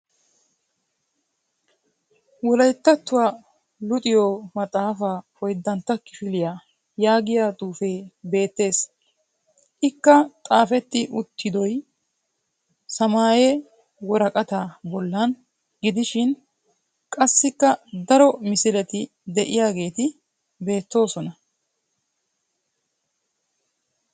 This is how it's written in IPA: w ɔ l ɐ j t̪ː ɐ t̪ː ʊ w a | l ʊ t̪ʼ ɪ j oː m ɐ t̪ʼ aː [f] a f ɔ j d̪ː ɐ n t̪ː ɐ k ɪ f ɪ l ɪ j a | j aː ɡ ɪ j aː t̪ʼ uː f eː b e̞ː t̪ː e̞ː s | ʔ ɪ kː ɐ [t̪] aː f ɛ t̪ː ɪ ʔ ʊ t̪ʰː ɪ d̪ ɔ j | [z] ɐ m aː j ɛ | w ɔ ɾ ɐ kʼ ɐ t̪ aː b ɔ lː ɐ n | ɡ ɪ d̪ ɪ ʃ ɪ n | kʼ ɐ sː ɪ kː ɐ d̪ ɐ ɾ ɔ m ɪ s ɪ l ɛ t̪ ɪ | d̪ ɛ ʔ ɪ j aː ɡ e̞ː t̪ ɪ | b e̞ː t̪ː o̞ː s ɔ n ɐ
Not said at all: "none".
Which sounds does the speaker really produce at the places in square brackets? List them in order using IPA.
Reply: f, t̪ʼ, s

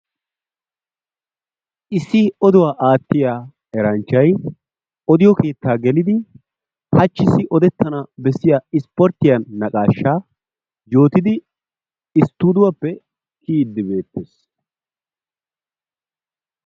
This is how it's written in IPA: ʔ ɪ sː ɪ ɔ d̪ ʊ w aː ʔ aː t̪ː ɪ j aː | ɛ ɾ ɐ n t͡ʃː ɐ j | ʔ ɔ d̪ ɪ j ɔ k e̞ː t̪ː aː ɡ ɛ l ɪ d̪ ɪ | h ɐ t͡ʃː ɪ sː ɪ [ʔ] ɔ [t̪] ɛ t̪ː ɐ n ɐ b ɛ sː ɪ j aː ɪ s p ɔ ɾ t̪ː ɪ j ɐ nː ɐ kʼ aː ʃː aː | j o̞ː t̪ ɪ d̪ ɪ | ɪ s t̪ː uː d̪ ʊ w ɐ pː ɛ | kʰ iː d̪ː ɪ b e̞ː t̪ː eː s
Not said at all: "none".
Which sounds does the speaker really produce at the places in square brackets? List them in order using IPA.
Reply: ʔ, d̪

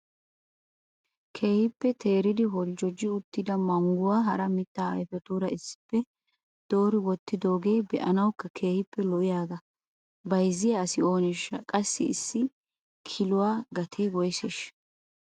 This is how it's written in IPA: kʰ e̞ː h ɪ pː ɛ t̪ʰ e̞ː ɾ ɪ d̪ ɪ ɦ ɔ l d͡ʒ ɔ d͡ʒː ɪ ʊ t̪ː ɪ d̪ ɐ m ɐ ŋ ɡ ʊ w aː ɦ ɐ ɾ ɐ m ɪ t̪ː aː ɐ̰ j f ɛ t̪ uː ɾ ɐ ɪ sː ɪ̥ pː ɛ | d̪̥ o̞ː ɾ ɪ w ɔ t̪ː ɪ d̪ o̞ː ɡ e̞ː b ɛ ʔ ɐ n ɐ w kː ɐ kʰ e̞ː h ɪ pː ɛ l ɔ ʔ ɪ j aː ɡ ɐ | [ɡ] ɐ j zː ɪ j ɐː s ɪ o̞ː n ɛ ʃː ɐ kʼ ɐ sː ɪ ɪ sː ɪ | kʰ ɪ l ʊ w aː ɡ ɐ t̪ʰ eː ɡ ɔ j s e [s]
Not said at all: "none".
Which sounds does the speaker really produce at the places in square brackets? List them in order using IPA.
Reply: b, ʃ

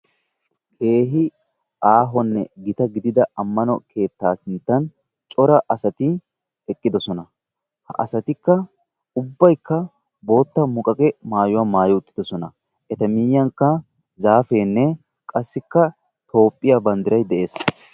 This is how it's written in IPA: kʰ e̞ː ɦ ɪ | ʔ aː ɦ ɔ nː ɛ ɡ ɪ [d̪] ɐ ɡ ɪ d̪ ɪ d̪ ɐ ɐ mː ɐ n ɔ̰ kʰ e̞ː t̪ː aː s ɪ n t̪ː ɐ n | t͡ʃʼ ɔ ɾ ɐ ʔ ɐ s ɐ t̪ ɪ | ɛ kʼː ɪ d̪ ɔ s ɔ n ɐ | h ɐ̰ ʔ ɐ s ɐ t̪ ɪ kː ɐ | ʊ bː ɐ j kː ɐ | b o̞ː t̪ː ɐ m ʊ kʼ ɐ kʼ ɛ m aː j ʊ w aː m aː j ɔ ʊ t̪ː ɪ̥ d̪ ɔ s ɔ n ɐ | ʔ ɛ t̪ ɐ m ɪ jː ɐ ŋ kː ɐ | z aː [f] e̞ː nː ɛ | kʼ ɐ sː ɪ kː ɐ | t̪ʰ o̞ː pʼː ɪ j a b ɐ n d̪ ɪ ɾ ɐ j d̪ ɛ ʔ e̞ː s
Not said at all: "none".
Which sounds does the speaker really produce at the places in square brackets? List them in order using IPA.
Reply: t̪, f

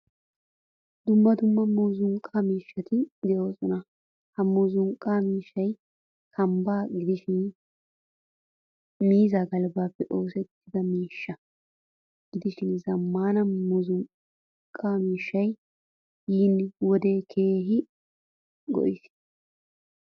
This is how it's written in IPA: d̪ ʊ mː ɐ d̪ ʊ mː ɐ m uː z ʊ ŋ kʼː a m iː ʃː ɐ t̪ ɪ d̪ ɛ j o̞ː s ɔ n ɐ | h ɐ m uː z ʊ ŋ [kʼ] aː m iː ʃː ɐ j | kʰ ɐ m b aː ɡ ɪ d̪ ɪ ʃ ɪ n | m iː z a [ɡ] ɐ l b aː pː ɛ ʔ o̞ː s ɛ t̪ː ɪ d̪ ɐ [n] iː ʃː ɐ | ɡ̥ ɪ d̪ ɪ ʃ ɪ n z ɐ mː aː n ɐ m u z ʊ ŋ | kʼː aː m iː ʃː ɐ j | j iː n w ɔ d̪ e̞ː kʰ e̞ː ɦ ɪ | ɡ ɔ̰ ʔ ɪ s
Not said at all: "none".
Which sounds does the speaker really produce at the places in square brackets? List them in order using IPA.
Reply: kʼ, ɡ, m

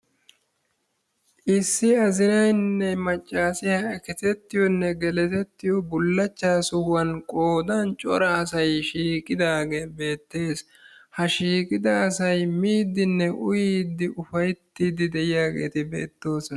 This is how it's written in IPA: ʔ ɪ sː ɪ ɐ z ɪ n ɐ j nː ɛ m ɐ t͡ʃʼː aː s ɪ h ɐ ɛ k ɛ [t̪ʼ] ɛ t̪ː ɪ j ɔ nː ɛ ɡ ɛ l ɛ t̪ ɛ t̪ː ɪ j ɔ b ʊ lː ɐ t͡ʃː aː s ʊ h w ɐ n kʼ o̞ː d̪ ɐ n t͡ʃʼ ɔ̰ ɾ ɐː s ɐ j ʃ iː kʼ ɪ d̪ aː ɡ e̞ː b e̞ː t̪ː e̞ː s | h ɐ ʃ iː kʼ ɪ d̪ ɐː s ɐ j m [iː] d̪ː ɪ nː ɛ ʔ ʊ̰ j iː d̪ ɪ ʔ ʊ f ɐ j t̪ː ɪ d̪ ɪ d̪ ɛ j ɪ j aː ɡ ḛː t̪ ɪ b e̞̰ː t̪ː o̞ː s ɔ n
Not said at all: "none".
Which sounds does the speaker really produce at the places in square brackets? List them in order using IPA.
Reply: t̪, iː

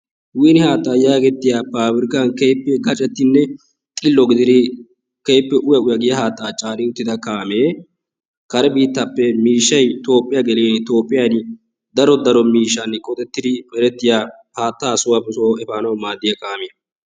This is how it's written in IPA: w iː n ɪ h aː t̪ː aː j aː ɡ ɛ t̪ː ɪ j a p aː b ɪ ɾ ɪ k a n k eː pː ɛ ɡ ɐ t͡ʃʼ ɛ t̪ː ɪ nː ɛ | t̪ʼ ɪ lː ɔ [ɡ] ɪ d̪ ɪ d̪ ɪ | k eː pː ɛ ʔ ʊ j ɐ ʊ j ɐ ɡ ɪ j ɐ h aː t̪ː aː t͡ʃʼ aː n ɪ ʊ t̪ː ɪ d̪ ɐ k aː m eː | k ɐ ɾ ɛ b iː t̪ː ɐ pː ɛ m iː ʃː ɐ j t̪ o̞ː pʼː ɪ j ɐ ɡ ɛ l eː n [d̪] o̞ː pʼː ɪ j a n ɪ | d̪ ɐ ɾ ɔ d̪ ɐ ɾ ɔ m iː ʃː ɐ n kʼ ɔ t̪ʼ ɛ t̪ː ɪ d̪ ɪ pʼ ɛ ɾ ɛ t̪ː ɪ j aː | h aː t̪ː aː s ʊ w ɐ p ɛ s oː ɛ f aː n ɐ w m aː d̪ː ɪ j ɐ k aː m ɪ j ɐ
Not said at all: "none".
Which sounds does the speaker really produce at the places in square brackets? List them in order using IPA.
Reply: ɡ, t̪

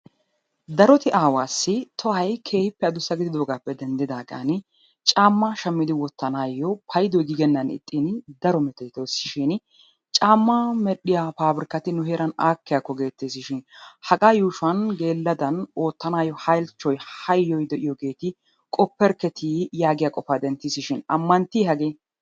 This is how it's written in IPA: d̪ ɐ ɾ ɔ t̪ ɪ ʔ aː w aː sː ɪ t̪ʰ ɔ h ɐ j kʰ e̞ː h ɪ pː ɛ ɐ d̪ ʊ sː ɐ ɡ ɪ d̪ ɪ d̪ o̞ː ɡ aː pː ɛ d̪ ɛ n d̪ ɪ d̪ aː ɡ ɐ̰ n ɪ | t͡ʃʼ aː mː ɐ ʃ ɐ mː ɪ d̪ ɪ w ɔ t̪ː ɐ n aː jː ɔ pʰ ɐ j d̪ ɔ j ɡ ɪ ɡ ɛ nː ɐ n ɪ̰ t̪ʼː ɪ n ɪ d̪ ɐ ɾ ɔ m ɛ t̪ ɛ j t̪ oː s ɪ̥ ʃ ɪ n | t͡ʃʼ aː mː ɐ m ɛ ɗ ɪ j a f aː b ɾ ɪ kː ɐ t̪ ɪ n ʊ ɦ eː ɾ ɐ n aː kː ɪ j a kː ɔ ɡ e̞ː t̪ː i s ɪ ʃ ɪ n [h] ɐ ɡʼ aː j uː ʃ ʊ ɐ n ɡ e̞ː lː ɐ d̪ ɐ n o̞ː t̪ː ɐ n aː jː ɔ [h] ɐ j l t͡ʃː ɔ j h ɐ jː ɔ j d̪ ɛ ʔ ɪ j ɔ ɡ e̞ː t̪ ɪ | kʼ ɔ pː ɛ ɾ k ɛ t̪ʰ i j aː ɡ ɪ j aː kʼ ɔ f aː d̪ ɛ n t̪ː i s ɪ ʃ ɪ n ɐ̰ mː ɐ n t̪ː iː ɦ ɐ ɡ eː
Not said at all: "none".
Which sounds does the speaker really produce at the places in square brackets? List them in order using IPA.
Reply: h, h

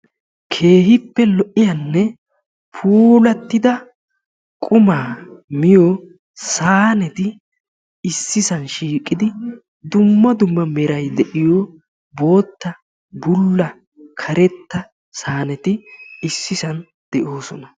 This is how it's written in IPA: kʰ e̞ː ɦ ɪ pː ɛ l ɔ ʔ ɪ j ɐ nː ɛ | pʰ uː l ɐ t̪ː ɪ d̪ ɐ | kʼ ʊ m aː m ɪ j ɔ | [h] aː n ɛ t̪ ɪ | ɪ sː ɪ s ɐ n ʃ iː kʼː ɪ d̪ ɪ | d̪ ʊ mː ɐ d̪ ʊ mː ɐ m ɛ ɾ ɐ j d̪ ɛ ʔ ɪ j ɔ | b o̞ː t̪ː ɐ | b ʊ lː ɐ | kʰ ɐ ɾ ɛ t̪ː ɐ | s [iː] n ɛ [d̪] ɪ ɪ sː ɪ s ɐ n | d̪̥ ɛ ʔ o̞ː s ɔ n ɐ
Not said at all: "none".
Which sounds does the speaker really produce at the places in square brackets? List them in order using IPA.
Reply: s, aː, t̪

